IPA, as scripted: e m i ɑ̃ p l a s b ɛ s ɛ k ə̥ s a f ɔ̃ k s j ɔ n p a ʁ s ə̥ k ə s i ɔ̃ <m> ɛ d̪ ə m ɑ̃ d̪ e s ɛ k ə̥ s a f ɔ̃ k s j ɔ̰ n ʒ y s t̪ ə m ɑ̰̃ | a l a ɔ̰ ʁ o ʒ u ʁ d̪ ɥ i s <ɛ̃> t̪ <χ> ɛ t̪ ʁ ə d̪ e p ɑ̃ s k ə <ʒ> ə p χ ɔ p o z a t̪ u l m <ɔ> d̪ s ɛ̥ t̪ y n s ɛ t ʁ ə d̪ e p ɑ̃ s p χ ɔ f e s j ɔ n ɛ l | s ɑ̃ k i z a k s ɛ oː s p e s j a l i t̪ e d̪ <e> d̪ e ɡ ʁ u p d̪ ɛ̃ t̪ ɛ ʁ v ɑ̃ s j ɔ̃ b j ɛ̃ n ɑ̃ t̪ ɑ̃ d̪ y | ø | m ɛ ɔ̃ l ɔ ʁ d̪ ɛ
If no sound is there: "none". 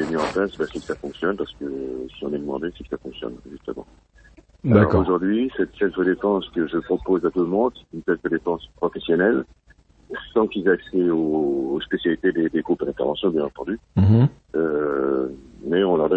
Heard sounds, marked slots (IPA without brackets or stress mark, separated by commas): n, ɛ, s, ʒ, ɔ̃, e